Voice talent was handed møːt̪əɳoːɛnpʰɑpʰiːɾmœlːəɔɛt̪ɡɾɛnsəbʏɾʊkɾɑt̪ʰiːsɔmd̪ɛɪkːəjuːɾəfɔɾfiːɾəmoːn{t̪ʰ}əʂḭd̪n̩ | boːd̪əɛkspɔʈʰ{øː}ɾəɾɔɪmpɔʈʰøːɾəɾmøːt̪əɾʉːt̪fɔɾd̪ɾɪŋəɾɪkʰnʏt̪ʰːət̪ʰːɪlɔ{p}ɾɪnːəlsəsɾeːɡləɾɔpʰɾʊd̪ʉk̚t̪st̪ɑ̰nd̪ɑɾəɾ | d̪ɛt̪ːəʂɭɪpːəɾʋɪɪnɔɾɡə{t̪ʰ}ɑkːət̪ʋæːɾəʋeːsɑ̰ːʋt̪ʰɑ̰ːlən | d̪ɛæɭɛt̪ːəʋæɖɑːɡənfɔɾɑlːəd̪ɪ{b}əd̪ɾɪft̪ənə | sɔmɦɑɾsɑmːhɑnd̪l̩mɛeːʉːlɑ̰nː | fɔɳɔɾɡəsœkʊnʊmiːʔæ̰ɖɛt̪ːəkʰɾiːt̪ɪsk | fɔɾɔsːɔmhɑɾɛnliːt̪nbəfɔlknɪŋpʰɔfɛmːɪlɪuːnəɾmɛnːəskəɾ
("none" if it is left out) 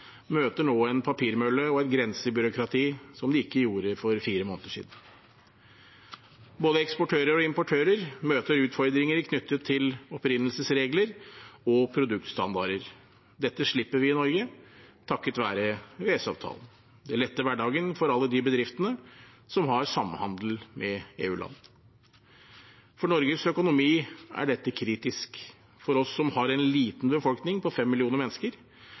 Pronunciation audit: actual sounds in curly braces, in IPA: t̪, øː, p, t̪ʰ, b

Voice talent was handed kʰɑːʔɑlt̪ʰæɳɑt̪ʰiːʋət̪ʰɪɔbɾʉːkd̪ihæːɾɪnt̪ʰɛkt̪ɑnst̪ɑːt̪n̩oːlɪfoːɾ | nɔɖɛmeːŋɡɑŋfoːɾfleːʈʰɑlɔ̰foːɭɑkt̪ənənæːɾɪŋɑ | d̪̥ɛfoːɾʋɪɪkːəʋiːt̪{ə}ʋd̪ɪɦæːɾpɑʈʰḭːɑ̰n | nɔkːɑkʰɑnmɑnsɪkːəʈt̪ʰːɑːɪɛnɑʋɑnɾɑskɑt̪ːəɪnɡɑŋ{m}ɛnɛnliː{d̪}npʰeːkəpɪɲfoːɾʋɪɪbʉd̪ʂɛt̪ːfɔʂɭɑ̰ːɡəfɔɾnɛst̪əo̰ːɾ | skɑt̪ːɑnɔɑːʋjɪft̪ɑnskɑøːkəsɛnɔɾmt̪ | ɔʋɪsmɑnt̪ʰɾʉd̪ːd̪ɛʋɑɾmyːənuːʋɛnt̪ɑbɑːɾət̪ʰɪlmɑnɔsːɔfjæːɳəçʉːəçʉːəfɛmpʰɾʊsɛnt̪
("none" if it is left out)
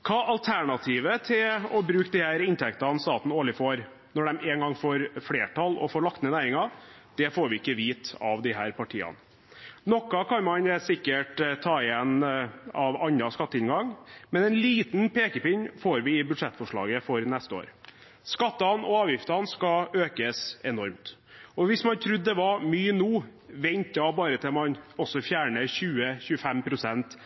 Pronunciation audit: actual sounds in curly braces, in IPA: ɑ, m, t̪

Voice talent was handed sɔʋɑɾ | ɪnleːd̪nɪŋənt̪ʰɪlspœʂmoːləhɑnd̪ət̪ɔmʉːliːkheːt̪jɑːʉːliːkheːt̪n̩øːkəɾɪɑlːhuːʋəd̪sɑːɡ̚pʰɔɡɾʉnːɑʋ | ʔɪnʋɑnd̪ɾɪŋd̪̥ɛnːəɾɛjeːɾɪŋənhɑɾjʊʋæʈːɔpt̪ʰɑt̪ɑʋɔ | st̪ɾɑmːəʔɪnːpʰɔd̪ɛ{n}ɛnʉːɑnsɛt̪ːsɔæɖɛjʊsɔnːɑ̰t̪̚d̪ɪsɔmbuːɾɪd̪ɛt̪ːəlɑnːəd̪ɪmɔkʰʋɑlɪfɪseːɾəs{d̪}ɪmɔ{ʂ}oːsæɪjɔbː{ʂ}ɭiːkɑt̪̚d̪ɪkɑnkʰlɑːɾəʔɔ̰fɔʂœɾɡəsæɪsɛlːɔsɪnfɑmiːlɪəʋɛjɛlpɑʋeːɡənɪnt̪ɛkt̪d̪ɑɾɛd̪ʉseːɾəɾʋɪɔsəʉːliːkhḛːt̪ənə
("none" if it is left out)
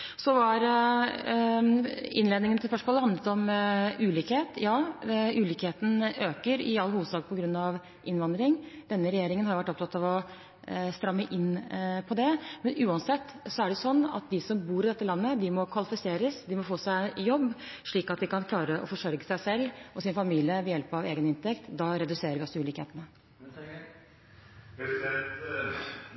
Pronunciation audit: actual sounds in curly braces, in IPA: m, d̪, f, ʂ

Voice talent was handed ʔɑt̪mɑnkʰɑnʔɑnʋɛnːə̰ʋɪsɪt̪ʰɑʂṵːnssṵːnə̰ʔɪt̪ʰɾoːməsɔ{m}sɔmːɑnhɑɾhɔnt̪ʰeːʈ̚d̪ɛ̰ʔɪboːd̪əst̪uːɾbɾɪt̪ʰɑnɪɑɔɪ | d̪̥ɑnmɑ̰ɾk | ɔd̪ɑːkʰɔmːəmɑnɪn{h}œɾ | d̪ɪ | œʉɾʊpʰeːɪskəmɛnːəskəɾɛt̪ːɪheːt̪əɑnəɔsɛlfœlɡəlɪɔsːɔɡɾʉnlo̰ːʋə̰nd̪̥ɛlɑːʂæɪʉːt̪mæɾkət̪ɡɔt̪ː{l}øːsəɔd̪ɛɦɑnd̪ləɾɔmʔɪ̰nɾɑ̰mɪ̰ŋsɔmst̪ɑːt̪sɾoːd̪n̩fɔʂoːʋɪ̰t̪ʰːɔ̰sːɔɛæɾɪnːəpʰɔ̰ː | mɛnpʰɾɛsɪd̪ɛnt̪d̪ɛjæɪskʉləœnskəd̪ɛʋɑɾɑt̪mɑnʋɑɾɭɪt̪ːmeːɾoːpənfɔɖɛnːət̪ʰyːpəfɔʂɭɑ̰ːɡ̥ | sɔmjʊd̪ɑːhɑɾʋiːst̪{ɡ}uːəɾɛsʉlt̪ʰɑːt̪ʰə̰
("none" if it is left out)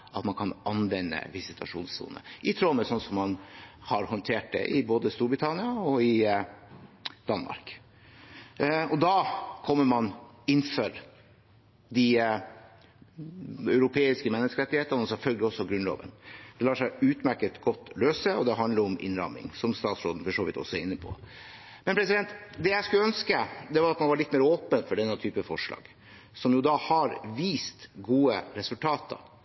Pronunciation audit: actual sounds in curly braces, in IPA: n, f, l, ɡ

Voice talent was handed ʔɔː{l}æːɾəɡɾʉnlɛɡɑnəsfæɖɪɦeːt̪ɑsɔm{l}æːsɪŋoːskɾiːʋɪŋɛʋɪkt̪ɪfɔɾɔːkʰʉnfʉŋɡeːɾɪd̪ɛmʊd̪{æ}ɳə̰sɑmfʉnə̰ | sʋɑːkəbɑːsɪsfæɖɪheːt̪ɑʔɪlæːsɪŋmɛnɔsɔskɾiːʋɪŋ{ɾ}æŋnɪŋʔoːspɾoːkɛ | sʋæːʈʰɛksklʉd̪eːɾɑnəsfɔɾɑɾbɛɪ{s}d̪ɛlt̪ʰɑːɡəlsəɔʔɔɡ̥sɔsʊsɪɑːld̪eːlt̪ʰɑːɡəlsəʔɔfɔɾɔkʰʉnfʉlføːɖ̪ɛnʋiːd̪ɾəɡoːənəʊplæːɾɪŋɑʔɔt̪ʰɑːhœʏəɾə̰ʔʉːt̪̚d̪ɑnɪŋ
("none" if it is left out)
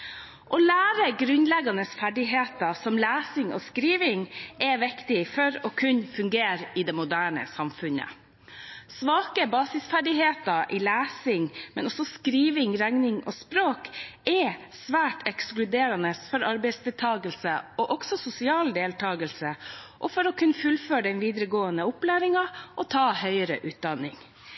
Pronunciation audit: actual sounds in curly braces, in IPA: l, l, æː, ɾ, s

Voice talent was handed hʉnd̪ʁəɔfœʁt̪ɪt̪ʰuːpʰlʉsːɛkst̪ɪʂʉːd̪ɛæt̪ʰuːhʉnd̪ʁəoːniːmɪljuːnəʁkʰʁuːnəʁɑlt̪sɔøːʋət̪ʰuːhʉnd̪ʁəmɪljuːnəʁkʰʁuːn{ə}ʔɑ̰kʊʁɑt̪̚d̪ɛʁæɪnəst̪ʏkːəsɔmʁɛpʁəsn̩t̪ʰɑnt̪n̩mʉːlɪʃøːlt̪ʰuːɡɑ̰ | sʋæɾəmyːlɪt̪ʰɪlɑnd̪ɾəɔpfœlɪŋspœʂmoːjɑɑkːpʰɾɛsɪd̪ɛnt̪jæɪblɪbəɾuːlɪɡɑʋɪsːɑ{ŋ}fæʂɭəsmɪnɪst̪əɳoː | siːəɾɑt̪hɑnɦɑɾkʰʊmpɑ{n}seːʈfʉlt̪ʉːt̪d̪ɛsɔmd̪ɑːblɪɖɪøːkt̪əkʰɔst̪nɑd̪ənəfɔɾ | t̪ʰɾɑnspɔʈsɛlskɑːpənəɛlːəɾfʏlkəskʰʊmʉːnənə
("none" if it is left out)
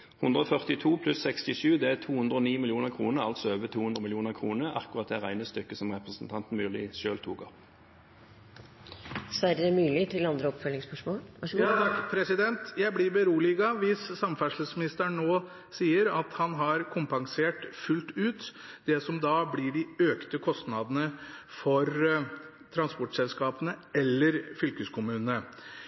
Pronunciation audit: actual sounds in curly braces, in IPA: ə, m, ŋ

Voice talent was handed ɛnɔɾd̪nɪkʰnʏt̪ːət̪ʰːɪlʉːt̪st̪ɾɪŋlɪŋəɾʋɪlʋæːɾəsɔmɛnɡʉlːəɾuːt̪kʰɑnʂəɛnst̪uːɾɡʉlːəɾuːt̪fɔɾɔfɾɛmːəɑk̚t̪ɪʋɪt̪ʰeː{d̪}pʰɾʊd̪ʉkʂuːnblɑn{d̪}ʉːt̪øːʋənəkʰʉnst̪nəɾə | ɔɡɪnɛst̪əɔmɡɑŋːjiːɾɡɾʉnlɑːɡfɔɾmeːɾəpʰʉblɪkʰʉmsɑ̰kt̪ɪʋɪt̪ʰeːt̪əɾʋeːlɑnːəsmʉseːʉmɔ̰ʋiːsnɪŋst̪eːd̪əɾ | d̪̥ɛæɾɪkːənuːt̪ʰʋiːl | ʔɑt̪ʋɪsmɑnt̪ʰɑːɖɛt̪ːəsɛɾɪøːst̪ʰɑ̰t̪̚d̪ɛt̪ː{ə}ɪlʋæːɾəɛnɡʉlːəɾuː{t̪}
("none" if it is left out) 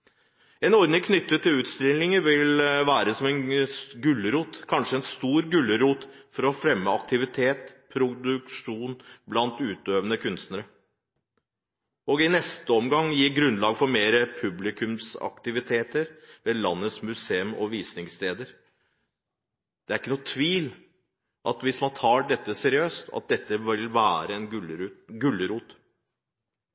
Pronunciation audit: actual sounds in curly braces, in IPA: t̪, t̪, ə, t̪

